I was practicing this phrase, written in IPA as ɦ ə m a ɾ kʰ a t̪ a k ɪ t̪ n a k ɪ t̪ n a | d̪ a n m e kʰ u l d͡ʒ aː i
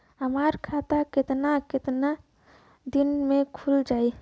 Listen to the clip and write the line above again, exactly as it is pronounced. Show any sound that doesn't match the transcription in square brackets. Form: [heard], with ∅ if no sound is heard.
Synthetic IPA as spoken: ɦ ə m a ɾ kʰ a t̪ a k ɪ t̪ n a k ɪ t̪ n a | d̪ [i] n m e kʰ u l d͡ʒ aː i